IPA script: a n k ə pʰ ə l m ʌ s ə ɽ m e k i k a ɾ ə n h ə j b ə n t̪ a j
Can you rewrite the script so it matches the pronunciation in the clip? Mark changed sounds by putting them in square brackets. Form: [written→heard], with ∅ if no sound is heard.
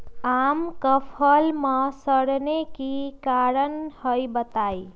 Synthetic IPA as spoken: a [n→m] k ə pʰ ə l m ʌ s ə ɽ [m→n] e k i k a ɾ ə n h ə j b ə [n→∅] t̪ a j